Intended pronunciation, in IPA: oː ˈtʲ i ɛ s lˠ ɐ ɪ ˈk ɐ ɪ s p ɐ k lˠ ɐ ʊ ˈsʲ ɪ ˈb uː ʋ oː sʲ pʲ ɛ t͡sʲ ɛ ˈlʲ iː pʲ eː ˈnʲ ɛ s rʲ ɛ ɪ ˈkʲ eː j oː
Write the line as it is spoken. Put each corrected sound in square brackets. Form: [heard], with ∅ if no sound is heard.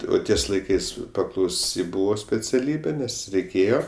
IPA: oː ˈtʲ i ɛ s lˠ ɐ ɪ ˈk ɐ ɪ s p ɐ k lˠ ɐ ʊ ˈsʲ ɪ ˈb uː ʋ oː sʲ pʲ ɛ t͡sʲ ɛ ˈlʲ iː [bʲ] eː ˈnʲ ɛ s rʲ ɛ ɪ ˈkʲ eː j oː